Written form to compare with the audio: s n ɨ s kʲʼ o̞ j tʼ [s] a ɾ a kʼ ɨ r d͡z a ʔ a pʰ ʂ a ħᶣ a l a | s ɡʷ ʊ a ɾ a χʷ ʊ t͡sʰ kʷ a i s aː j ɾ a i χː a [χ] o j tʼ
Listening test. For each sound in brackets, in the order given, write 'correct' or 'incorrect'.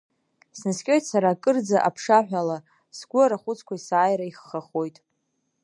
correct, correct

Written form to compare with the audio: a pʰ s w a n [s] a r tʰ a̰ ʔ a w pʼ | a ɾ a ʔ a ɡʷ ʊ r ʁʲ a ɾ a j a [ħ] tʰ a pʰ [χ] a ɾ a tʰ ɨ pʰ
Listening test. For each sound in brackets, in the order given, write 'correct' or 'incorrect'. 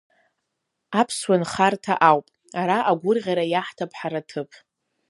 incorrect: χ, correct, incorrect: ħ

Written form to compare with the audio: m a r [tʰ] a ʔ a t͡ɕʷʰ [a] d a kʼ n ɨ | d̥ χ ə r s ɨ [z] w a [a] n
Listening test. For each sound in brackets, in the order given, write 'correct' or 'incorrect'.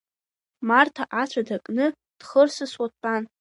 correct, correct, incorrect: s, correct

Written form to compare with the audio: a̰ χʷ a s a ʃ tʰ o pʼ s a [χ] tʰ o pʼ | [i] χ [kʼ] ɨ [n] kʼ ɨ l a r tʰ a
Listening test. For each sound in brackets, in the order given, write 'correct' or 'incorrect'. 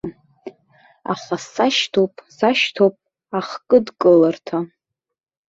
incorrect: ʃ, incorrect: a, correct, incorrect: d

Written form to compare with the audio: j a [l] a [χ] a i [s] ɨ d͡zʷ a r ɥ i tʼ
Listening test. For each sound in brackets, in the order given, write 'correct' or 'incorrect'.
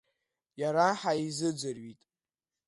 incorrect: ɾ, incorrect: ħ, incorrect: z

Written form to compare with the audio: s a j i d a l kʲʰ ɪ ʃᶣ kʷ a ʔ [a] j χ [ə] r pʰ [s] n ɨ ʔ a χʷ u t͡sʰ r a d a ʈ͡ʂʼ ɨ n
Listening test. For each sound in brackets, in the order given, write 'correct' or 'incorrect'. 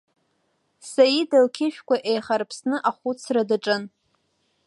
incorrect: e, incorrect: a, correct

